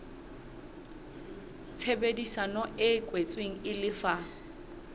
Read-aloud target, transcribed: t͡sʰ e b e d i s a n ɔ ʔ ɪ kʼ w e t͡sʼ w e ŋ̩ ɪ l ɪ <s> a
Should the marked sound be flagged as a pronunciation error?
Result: yes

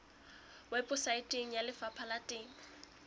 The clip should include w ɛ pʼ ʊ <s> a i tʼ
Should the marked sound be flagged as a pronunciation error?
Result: no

